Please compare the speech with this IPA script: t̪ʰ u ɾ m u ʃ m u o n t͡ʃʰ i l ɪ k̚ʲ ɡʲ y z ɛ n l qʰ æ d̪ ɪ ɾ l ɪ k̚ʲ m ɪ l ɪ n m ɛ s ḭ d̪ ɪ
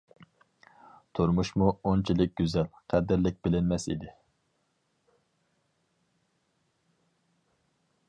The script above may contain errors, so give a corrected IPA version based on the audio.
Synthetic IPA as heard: t̪ʰ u ɾ m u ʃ m u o n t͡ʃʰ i l ɪ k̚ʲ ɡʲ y z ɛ l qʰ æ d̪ ɪ ɾ l ɪ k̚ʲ b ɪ l ɪ n m ɛ s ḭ d̪ ɪ